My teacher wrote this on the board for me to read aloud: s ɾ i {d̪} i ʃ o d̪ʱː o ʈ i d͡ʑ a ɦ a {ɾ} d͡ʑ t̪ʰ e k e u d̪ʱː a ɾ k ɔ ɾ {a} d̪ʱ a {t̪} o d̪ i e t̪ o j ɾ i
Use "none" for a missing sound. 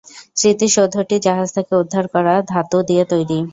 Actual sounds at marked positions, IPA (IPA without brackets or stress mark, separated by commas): t̪, none, a, t̪